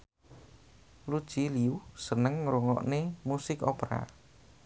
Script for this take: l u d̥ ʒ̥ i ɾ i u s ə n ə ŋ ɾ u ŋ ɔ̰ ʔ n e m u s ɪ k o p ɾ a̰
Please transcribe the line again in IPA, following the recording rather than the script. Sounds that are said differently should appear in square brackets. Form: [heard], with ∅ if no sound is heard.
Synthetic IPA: l u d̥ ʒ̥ i [l] i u s ə n ə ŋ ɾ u ŋ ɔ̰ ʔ n e m u s ɪ k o p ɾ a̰